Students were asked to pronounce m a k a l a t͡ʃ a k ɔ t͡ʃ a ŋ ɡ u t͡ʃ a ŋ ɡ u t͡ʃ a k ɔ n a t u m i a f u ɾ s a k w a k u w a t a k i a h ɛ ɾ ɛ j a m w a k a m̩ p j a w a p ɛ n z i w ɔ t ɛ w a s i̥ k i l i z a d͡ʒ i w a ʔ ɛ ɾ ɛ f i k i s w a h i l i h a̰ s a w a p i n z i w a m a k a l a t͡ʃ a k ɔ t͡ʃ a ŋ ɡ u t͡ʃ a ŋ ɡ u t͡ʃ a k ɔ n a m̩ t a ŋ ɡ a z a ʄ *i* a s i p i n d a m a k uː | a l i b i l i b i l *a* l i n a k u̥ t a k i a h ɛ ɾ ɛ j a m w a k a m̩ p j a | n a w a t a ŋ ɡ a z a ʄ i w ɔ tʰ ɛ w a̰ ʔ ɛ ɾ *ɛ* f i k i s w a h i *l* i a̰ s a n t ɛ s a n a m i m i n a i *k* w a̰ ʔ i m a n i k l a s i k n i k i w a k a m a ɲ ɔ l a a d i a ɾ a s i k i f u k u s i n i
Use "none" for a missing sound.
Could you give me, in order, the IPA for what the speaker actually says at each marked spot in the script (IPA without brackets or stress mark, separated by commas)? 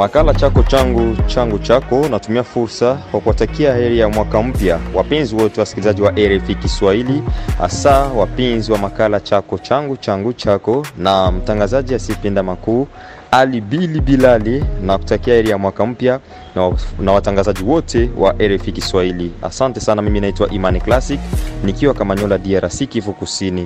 i, a, ɛ, l, t